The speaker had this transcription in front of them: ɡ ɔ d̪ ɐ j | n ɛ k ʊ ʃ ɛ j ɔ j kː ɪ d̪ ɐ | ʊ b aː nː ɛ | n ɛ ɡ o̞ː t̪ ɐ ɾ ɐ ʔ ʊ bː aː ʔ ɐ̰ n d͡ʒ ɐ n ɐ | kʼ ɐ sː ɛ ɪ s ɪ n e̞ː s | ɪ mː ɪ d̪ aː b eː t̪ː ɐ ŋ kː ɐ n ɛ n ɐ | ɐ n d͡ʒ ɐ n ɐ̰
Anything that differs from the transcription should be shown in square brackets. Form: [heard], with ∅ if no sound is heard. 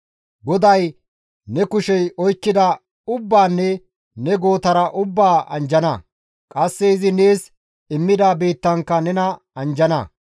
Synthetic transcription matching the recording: ɡ ɔ d̪ ɐ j | n ɛ k ʊ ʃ ɛ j ɔ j kː ɪ d̪ ɐ | ʊ [bː] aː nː ɛ | n ɛ ɡ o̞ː t̪ ɐ ɾ ɐ ʔ ʊ bː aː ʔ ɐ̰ n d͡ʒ ɐ n ɐ | kʼ ɐ sː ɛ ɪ [z] ɪ n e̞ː s | ɪ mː ɪ d̪ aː b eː t̪ː ɐ ŋ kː ɐ n ɛ n ɐ | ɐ n d͡ʒ ɐ n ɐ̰